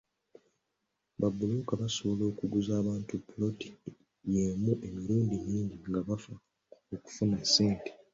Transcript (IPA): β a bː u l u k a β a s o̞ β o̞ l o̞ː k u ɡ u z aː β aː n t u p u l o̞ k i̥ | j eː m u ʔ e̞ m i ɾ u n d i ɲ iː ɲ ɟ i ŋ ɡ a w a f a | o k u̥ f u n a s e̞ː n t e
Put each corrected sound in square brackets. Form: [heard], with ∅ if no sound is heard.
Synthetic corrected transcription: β a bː u l u k a β a s o̞ β o̞ l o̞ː k u ɡ u z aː β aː n t u p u l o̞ [t] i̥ | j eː m u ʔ e̞ m i ɾ [uː] n d i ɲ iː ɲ ɟ i ŋ ɡ a [β] a f a | o k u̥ f u n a s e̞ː n t e